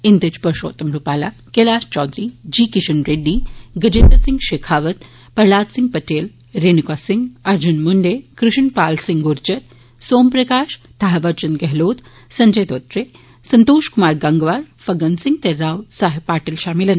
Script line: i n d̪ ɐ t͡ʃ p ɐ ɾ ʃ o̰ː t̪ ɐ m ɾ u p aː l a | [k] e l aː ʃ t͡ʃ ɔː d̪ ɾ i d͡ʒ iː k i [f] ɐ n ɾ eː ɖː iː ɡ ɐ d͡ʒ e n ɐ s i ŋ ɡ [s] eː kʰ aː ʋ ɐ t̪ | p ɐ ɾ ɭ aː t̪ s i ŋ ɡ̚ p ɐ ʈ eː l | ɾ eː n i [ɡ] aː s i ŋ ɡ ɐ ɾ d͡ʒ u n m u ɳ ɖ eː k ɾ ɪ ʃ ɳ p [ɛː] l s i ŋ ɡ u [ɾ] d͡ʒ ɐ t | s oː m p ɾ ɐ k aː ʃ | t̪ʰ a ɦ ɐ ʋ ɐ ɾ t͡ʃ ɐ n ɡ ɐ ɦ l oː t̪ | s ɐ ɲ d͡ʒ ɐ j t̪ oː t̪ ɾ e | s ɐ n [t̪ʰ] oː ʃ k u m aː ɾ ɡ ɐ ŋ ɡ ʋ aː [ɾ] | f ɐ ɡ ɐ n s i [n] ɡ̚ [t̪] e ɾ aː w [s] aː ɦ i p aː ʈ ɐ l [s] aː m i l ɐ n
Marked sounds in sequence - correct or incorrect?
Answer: correct, incorrect: ʃ, incorrect: ʃ, incorrect: k, incorrect: aː, correct, incorrect: t̪, correct, incorrect: ŋ, correct, correct, incorrect: ʃ

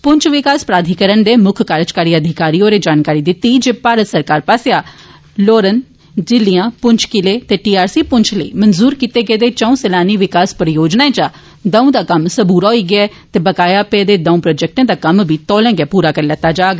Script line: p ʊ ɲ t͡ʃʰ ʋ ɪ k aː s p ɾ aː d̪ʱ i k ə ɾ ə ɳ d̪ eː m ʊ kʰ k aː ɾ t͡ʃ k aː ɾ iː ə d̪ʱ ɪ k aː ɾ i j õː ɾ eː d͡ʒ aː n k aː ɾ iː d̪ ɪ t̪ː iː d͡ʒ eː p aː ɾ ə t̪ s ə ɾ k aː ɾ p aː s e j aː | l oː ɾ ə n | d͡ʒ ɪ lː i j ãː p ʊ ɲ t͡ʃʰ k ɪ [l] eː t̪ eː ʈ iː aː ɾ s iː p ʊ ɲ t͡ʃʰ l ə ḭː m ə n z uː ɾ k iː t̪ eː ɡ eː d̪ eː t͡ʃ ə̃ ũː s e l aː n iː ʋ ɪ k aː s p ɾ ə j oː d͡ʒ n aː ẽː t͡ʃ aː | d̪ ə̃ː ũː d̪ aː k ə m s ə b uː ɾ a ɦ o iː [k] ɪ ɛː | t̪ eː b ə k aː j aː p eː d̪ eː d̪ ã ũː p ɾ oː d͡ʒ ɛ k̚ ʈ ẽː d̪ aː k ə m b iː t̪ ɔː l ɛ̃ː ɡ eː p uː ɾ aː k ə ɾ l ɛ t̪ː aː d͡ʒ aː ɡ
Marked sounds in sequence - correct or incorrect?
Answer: correct, incorrect: ɡ

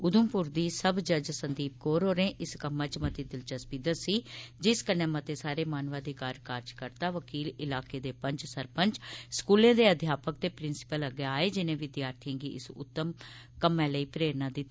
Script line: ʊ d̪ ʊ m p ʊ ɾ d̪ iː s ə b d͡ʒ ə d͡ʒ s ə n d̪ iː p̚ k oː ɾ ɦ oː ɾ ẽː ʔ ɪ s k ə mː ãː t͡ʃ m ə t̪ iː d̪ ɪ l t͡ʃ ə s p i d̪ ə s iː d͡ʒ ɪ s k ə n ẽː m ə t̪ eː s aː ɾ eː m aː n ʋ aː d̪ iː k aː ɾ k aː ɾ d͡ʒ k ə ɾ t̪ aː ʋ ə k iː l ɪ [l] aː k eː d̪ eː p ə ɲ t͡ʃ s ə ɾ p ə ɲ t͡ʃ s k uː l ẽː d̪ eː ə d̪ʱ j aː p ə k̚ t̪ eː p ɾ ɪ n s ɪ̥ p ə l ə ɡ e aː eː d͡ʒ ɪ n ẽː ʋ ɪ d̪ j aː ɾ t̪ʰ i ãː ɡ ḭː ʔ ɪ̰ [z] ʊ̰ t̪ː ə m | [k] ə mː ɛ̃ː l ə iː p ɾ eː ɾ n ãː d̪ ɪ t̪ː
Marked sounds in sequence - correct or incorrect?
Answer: correct, incorrect: s, correct

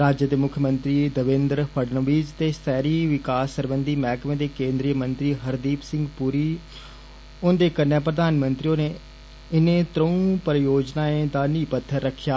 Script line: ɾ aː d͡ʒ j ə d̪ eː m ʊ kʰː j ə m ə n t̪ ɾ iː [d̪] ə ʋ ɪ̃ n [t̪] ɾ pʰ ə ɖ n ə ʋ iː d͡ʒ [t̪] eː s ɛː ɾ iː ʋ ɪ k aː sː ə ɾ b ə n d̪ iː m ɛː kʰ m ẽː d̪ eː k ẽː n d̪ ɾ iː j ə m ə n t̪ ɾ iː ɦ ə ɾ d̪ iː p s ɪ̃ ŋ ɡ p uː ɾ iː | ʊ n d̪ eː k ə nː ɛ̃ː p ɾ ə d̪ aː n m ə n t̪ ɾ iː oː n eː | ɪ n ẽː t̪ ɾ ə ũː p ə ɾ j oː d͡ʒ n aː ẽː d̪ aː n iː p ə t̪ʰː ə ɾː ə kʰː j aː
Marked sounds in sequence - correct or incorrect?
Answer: correct, incorrect: d̪, correct

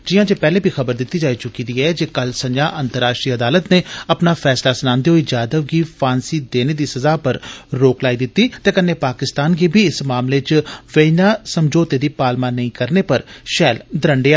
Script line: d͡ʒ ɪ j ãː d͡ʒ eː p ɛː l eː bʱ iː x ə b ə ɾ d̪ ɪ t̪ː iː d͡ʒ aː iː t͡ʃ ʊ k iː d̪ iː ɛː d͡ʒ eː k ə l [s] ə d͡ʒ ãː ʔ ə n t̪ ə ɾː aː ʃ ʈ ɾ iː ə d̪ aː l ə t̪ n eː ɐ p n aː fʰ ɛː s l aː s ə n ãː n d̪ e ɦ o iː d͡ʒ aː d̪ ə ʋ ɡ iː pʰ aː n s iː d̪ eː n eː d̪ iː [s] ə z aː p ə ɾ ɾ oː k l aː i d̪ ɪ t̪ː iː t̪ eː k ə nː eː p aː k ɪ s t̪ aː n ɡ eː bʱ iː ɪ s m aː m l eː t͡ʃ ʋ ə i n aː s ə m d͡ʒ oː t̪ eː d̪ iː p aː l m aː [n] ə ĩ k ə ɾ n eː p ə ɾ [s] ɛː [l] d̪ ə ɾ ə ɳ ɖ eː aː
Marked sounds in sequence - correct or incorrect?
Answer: correct, correct, correct, incorrect: ʃ, correct

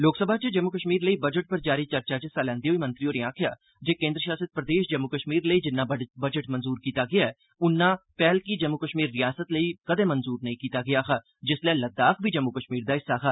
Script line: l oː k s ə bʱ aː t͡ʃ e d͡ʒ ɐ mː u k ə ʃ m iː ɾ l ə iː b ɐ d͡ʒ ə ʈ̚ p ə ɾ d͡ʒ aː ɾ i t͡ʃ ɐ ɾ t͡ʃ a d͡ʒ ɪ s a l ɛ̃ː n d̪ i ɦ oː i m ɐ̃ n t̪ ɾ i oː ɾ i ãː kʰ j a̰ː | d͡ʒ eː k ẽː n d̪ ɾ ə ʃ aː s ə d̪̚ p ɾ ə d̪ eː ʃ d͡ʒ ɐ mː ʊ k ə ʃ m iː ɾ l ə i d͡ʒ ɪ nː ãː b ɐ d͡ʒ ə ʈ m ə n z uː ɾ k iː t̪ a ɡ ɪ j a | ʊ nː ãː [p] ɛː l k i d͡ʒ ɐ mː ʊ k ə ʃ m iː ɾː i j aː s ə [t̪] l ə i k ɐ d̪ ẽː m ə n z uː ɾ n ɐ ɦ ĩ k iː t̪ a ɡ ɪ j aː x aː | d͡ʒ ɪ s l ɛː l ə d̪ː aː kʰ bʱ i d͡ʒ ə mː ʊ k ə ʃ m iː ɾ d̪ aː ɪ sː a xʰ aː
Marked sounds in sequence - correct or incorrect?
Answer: correct, correct

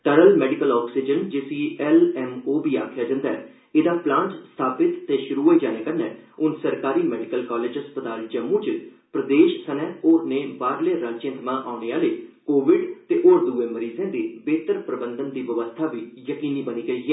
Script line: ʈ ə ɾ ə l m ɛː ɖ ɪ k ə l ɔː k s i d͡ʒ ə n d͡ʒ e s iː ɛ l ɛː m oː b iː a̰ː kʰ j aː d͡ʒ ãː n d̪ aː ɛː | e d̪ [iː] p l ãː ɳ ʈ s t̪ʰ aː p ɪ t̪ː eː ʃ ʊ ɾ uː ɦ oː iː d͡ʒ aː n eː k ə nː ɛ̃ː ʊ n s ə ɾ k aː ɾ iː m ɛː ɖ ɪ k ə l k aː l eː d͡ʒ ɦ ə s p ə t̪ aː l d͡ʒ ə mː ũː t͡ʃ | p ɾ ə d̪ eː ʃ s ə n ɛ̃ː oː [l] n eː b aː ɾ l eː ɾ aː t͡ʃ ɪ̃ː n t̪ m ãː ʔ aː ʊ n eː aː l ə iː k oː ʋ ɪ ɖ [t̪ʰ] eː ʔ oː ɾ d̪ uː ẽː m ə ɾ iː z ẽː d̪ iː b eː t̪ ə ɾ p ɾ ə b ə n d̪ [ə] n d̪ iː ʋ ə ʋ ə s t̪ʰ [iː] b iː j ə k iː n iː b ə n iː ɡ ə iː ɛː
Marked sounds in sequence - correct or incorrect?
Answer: incorrect: aː, incorrect: ɾ, incorrect: t̪, correct, incorrect: aː

